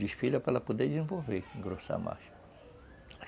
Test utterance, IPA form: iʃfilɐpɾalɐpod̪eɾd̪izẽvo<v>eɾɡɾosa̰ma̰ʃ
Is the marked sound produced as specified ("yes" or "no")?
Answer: yes